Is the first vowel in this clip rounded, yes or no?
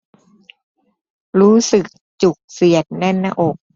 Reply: yes